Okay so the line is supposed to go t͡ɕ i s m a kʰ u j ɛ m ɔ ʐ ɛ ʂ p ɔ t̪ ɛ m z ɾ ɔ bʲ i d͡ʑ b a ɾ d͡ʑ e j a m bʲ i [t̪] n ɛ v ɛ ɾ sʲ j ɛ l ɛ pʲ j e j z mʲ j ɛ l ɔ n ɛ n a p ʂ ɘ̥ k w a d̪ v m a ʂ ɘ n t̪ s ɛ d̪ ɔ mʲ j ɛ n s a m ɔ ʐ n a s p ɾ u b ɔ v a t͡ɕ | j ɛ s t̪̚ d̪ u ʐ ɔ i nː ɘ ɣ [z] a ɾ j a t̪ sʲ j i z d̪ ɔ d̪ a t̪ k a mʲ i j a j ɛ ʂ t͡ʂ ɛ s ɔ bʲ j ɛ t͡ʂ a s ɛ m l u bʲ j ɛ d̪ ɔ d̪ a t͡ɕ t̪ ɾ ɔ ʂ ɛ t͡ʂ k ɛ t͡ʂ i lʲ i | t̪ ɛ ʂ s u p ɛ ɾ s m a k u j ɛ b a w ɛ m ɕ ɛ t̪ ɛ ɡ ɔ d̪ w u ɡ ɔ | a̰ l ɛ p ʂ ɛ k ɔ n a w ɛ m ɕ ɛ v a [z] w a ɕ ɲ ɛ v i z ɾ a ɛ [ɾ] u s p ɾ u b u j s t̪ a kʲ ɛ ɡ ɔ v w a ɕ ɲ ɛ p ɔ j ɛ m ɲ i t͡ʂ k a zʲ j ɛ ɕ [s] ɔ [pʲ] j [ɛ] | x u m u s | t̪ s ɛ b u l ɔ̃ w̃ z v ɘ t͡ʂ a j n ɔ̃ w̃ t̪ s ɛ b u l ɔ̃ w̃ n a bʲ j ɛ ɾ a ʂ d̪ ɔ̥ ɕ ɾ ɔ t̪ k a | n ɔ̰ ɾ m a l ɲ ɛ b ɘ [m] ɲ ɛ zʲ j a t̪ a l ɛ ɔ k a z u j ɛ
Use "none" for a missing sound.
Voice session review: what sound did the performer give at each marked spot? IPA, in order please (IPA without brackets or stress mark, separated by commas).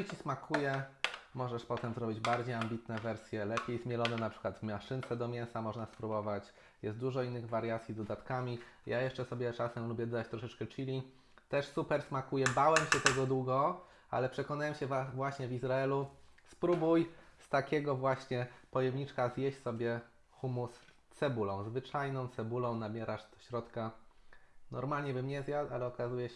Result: t̪, v, v, l, s, bʲ, ɛ, m